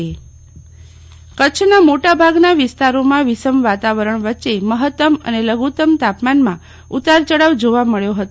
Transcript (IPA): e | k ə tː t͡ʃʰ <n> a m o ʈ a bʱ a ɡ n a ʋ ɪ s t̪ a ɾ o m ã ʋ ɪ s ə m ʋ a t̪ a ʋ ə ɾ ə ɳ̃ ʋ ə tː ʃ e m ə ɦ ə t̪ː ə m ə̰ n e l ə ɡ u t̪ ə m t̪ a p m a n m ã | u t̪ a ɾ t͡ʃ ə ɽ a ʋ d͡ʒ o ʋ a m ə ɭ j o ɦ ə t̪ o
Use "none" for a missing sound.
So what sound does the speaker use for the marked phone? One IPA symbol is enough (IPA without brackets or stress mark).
n